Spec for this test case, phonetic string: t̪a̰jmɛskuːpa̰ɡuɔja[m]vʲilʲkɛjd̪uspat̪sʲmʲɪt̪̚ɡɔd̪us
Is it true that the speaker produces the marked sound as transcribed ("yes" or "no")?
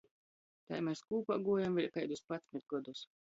yes